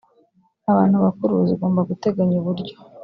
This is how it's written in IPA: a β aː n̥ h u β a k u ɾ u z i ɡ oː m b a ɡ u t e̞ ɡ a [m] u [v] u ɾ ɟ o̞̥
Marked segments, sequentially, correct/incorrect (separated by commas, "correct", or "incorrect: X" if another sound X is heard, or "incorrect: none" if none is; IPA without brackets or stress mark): incorrect: ɲ, incorrect: β